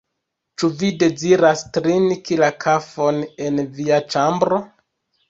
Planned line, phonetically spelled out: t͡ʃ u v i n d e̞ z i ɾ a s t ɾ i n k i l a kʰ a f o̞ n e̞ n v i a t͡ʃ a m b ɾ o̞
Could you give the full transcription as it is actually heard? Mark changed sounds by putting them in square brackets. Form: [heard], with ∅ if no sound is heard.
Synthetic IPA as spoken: t͡ʃ u v i [∅] d e̞ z i ɾ a s t ɾ i n k i l a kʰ a f o̞ n e̞ n v i a t͡ʃ a m b ɾ o̞